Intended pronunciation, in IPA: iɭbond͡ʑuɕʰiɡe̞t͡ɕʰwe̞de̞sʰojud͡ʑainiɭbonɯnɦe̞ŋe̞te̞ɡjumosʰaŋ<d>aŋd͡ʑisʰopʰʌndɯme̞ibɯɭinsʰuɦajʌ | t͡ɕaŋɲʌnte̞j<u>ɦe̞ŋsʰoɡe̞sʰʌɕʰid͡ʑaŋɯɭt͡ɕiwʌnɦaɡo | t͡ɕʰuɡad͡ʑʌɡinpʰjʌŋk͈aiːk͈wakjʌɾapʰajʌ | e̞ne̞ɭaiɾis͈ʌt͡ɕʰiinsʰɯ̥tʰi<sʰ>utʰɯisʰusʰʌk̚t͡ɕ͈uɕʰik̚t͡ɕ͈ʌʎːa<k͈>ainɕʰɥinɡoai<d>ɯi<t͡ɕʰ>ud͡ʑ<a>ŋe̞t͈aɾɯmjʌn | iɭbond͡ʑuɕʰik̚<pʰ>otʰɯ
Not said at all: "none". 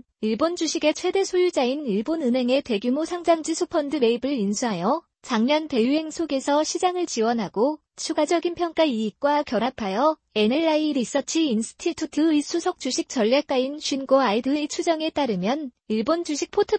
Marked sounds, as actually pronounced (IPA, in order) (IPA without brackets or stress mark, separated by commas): d͡ʑ, u, tʰ, k͈, d, t͡ɕʰ, ʌ, pʰ